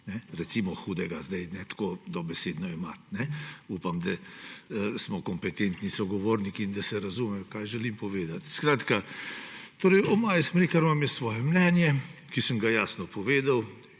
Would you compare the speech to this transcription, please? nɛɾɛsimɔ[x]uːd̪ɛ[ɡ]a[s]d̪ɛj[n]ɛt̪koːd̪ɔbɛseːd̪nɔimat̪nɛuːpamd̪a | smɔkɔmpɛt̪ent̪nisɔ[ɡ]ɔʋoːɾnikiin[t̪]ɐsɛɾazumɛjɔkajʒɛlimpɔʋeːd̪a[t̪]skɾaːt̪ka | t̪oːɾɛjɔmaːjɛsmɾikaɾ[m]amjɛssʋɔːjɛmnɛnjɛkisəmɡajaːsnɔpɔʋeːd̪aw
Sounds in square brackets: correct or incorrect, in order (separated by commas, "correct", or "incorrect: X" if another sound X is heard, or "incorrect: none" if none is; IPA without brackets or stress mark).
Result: correct, correct, incorrect: z, correct, correct, incorrect: d̪, correct, correct